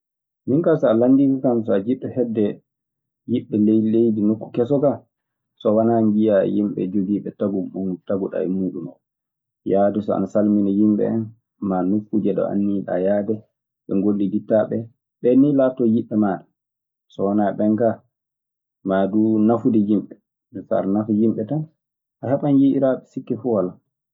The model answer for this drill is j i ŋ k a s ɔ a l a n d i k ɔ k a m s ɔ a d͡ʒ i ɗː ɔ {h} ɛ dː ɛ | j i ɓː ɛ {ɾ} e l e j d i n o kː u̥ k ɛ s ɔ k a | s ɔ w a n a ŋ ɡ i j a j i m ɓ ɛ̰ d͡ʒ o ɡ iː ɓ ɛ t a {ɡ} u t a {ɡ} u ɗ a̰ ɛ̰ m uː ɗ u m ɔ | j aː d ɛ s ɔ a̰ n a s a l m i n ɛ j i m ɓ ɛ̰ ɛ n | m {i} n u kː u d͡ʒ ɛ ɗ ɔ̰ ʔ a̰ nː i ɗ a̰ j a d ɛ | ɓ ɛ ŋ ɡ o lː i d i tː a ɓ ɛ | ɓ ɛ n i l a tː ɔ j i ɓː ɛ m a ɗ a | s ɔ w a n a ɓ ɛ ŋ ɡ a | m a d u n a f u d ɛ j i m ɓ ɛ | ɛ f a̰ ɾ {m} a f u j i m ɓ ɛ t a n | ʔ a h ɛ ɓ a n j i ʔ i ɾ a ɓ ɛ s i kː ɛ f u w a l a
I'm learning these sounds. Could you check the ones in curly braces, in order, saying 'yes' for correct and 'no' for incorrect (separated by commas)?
yes, no, yes, yes, no, no